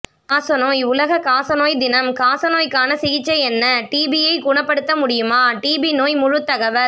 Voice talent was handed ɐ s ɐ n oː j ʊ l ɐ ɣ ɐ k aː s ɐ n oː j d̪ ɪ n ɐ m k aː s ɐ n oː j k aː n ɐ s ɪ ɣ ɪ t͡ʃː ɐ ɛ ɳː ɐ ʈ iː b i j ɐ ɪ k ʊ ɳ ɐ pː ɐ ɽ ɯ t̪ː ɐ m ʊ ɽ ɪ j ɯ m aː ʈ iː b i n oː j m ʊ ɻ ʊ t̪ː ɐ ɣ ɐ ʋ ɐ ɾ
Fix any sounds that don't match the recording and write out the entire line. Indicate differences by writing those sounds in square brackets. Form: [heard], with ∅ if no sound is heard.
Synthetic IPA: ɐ s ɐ n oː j ʊ l ɐ ɣ ɐ k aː s ɐ n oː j d̪ ɪ n ɐ m k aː s ɐ n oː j k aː n ɐ s ɪ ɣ ɪ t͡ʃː ɐ ɛ [nː] ɐ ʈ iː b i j ɐ ɪ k ʊ ɳ ɐ pː ɐ ɽ ɯ t̪ː ɐ m ʊ ɽ ɪ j ɯ m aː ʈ iː b i n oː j m ʊ ɻ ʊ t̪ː ɐ ɣ ɐ ʋ ɐ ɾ